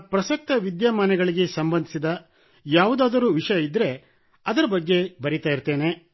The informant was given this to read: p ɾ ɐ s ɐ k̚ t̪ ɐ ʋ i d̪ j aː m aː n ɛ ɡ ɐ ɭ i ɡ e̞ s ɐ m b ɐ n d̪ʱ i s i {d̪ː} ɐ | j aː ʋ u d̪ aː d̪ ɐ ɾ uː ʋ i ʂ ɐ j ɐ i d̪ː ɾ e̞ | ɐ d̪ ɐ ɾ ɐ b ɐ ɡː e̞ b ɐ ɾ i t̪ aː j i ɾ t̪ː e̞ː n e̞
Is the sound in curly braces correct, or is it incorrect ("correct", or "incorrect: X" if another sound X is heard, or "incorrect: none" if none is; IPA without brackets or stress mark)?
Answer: incorrect: d̪